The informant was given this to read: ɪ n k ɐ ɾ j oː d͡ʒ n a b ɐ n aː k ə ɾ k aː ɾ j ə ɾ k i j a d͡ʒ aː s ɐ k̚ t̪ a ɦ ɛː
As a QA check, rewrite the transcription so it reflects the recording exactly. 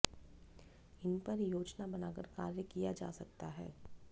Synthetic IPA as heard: ɪ n p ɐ ɾ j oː d͡ʒ n a b ɐ n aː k ə ɾ k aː ɾ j ə k i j a d͡ʒ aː s ɐ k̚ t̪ a ɦ ɛː